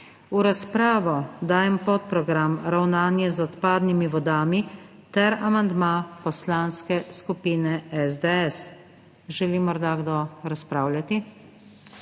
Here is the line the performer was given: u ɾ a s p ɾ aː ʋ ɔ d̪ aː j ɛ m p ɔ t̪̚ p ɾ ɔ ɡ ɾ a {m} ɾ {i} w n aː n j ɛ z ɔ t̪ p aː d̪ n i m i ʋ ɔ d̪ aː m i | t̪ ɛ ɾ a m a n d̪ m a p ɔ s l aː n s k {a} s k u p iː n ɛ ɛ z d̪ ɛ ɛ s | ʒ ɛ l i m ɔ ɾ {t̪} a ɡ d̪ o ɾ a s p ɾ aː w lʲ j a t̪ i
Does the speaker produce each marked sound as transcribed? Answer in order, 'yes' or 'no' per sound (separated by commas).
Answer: yes, no, no, no